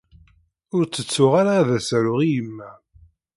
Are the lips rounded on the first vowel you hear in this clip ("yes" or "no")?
yes